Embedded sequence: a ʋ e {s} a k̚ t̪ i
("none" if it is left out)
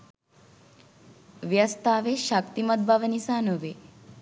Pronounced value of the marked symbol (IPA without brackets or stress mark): ʃ